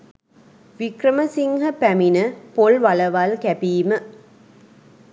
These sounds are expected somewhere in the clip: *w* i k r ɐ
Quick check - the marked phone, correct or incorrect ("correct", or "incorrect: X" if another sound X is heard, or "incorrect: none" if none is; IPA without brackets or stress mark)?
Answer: incorrect: ʋ